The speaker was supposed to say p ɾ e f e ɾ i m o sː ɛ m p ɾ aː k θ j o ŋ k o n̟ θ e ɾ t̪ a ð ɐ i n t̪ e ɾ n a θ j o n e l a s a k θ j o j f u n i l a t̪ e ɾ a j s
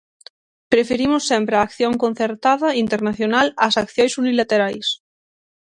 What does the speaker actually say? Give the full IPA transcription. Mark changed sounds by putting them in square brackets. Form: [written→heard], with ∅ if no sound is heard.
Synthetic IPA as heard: p ɾ e f e ɾ i m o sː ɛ m p ɾ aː k θ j o ŋ k o n̟ θ e ɾ t̪ a ð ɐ i n t̪ e ɾ n a θ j o n [e→a] l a s a k θ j o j [f→s] u n i l a t̪ e ɾ a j s